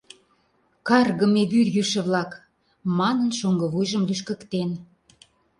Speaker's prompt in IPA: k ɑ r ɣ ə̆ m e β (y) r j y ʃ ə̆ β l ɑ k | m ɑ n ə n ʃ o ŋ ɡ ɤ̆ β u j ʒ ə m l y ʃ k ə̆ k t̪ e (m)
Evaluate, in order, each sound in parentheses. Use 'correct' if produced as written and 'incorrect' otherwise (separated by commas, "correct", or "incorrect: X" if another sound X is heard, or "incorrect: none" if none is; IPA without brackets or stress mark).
correct, incorrect: n